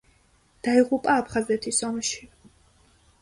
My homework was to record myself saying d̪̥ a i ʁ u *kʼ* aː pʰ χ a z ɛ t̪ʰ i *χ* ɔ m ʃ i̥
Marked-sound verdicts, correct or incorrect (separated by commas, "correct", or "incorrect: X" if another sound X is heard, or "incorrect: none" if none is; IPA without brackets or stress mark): incorrect: pʼ, incorrect: s